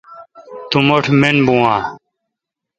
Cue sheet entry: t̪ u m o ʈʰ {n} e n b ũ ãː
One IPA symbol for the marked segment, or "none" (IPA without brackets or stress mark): m